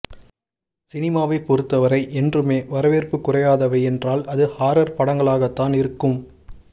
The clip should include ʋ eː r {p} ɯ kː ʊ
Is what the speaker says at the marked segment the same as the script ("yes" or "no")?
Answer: yes